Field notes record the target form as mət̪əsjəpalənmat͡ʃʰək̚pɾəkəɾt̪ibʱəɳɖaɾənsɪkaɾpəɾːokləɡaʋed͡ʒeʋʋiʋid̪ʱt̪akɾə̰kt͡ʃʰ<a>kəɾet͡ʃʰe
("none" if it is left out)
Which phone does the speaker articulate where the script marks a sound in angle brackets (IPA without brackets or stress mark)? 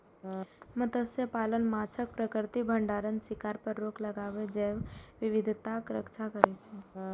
a